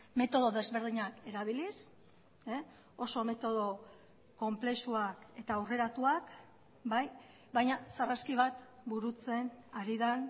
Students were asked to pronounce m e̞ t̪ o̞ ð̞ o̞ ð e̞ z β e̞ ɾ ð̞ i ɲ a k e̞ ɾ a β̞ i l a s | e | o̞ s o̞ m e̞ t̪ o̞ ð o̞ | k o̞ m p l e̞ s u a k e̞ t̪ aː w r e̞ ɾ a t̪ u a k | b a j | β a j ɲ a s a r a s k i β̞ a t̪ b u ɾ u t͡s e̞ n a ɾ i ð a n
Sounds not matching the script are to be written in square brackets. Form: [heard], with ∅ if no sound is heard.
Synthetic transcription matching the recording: m e̞ t̪ o̞ ð̞ o̞ ð e̞ z β e̞ ɾ ð̞ i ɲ a k e̞ ɾ a β̞ i l [i] s | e | o̞ s o̞ m e̞ t̪ o̞ ð o̞ | k o̞ m p l e̞ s u a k e̞ t̪ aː w r e̞ ɾ a t̪ u a k | b a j | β a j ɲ a s a r a s k i β̞ a t̪ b u ɾ u t͡s e̞ n a ɾ i ð a n